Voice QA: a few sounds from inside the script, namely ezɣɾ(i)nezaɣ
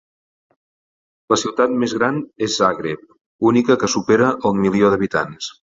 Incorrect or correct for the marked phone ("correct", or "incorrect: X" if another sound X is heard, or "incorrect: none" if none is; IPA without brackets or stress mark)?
incorrect: a